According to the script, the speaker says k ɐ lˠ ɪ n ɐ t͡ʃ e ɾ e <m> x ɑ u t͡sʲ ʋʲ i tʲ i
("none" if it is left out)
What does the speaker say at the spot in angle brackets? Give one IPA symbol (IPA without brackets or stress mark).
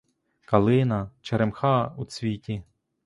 m